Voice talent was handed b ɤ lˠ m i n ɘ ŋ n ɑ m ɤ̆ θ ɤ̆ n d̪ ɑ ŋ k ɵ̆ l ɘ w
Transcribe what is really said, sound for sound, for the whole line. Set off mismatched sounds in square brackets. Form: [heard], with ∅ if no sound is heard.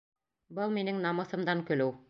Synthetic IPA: b ɤ lˠ m i n ɘ ŋ n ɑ m ɤ̆ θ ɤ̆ [m] d̪ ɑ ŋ k ɵ̆ l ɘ w